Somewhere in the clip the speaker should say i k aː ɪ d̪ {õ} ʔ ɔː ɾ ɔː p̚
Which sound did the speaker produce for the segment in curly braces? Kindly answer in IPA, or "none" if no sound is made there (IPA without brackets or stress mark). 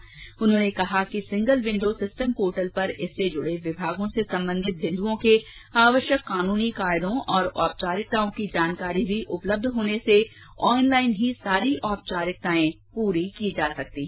õ